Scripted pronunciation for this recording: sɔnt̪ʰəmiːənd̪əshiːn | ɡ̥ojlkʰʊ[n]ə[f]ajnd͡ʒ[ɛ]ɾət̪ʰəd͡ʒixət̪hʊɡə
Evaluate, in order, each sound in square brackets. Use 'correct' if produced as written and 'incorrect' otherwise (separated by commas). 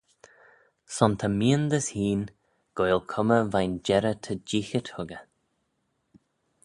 incorrect, incorrect, correct